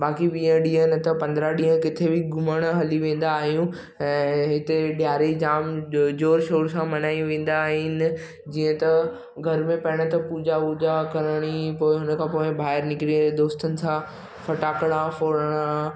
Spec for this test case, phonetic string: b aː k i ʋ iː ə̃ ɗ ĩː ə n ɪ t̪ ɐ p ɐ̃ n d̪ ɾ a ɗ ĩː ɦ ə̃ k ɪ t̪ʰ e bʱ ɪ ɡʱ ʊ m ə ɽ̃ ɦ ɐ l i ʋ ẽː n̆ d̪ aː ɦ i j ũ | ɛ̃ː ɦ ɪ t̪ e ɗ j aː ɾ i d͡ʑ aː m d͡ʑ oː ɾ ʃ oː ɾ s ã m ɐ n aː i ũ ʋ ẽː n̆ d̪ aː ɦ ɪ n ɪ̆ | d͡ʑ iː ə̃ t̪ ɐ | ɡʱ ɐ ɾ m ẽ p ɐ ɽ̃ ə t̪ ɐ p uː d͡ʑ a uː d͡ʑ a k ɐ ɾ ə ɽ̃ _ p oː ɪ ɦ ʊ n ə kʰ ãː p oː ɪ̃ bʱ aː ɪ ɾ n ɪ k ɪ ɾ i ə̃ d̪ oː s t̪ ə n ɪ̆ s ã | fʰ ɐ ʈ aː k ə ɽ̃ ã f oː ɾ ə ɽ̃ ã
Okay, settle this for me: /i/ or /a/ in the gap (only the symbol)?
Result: i